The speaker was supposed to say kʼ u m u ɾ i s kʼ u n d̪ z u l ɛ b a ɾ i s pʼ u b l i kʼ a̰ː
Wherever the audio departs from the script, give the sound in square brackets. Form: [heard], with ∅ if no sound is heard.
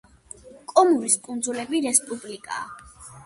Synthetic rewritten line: kʼ [ɔ] m u ɾ i s kʼ u n d̪ z u l ɛ b [i] ɾ [ɛ] s pʼ u b l i kʼ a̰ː